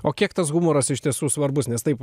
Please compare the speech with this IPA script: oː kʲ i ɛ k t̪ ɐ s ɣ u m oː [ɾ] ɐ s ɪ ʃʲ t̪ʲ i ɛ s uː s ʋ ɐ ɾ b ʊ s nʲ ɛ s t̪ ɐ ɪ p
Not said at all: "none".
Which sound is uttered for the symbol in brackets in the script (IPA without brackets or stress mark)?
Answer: ɾ